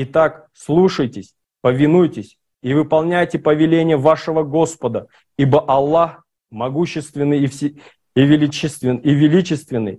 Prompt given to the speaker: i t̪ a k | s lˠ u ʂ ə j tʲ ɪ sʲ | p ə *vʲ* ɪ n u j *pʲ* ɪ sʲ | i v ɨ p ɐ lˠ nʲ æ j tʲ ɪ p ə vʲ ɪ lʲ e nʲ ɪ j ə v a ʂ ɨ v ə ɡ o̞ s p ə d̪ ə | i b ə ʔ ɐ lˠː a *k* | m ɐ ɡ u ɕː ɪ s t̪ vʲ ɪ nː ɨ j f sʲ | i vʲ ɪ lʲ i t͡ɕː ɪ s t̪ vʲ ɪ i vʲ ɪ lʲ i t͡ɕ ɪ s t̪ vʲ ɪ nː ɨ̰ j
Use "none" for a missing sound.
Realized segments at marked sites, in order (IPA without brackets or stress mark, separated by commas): vʲ, tʲ, x